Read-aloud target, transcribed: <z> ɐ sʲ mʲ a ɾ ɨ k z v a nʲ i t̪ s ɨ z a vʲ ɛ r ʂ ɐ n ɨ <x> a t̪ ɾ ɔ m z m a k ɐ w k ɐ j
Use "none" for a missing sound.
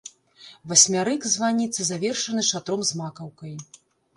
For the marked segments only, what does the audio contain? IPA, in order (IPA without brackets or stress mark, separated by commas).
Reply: v, ʂ